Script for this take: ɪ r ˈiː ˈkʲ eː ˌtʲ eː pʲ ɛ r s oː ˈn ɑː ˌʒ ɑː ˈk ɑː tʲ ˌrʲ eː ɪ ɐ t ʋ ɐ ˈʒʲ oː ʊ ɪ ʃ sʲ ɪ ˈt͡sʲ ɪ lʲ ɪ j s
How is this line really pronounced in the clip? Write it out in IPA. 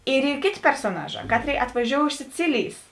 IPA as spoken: ɪ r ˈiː ˈkʲ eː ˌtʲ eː pʲ ɛ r s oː ˈn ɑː ˌʒ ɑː ˈk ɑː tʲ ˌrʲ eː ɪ ɐ t ʋ ɐ ˈʒʲ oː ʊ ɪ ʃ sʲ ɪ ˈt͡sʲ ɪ lʲ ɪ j s